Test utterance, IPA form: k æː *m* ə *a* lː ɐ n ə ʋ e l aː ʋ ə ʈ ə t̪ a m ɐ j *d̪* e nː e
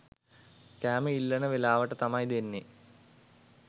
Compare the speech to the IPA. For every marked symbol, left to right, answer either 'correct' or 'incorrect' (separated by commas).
correct, incorrect, correct